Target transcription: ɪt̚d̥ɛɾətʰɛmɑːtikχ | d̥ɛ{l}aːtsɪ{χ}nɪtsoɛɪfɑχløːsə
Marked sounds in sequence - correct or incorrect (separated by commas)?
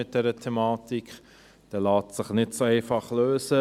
correct, correct